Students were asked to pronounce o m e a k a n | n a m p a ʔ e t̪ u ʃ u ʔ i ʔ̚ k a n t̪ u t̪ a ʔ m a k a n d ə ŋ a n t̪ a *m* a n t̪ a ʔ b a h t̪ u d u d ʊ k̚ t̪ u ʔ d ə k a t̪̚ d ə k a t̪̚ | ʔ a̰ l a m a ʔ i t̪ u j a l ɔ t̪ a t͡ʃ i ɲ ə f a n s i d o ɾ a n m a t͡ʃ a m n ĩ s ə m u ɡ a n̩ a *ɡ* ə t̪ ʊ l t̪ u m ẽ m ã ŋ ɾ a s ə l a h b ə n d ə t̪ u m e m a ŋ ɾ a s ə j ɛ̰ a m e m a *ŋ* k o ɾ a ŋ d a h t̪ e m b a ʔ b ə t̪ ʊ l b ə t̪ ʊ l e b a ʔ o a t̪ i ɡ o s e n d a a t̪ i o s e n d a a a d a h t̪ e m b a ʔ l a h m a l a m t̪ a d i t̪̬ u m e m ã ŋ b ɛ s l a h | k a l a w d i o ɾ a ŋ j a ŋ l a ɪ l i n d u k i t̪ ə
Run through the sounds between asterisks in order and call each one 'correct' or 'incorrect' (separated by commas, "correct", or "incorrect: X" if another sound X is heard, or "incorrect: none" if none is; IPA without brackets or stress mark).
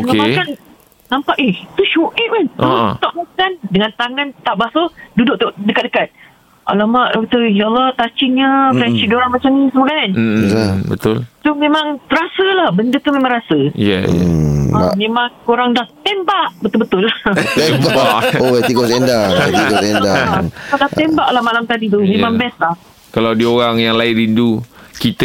incorrect: ŋ, incorrect: b, correct